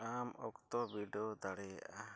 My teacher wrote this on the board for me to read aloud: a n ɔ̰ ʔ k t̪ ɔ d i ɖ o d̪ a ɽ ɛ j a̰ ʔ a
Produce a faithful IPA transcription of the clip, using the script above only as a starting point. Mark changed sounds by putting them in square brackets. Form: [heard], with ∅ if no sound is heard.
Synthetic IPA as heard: a [m] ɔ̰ [∅] k t̪ ɔ [b] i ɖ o d̪ a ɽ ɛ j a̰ ʔ a